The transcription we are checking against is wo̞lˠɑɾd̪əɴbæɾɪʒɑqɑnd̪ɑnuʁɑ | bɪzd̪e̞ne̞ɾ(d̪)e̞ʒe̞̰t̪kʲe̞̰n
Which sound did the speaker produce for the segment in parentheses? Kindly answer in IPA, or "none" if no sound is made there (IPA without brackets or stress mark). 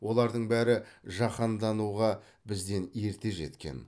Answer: t̪